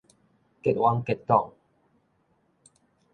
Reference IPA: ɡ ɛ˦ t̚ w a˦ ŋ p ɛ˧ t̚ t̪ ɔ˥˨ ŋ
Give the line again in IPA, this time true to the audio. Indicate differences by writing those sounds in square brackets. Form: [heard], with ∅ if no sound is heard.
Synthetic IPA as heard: [k] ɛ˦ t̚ w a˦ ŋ [k] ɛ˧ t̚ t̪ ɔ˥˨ ŋ